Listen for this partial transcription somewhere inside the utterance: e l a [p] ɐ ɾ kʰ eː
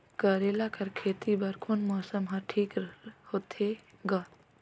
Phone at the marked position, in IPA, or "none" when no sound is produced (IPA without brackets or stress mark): k